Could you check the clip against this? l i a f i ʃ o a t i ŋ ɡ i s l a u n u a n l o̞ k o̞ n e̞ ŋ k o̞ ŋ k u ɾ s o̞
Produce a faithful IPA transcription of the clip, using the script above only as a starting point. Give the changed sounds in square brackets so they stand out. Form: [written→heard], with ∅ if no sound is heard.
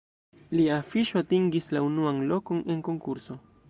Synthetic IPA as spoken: l i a f i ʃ o a t i ŋ ɡ i s l a u n u a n l o̞ k o̞ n e̞ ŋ k o̞ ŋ k u ɾ s o̞